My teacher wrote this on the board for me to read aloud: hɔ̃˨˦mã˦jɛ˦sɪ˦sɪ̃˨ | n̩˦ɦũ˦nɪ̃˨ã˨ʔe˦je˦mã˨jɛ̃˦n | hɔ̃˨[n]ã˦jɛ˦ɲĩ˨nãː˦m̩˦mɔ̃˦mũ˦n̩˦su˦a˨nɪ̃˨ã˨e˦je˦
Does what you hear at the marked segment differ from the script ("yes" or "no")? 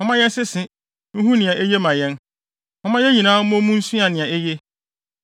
yes